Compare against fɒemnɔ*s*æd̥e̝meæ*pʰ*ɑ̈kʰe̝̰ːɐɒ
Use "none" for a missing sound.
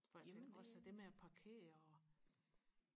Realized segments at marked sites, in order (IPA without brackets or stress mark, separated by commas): s, pʰ